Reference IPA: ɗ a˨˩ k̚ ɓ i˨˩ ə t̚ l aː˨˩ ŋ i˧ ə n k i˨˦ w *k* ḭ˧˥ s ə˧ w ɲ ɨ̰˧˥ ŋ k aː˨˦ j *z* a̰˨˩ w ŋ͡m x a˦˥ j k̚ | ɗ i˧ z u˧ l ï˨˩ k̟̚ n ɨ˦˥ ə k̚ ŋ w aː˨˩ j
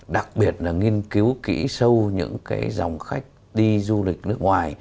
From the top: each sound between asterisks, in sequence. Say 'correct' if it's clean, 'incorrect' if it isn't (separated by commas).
correct, correct